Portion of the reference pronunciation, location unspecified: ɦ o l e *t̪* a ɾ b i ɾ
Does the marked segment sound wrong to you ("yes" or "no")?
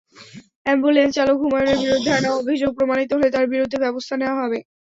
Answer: no